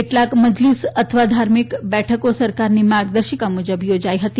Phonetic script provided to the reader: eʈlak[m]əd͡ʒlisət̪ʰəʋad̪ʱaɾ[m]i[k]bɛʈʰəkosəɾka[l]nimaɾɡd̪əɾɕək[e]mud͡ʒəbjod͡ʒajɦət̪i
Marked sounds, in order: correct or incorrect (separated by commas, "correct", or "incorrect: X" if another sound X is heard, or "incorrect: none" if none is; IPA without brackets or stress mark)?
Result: correct, correct, correct, incorrect: ɾ, incorrect: a